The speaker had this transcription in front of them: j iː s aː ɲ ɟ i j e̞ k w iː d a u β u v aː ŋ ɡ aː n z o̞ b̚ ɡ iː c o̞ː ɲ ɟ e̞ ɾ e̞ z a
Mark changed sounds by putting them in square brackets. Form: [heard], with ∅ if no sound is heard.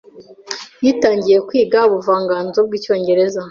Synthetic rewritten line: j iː [t] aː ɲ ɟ i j e̞ k w iː [ɡ] a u β u v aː ŋ ɡ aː n z o̞ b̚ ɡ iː c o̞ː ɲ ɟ e̞ ɾ e̞ z a